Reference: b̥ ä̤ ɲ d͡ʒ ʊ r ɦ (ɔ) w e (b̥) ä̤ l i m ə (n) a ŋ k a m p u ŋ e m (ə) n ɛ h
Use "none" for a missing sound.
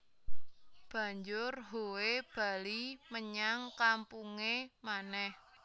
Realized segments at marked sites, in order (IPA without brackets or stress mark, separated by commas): o, b̥, ɲ, a